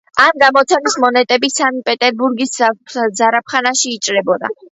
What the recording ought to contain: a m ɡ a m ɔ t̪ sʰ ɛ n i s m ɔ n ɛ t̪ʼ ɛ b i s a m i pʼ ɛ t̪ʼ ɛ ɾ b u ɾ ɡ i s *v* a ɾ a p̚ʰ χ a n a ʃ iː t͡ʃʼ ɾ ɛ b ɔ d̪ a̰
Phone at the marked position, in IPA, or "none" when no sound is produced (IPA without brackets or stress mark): z